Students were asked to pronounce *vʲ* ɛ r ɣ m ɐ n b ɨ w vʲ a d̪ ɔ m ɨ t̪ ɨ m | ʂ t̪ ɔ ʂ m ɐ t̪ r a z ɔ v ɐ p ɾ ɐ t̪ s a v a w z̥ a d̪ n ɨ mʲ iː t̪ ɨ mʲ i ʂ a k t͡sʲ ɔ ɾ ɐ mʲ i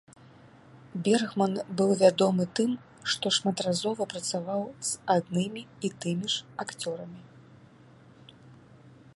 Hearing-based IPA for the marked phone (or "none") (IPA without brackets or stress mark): bʲ